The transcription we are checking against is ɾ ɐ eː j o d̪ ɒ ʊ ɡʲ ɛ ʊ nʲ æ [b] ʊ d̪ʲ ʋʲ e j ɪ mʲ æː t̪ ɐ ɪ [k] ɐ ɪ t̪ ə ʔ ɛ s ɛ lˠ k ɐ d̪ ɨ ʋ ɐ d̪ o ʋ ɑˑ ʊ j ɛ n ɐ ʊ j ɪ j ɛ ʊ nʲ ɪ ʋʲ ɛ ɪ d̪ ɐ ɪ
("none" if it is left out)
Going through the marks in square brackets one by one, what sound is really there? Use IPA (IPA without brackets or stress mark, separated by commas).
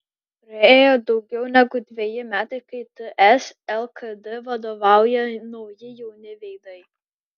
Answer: ɡ, k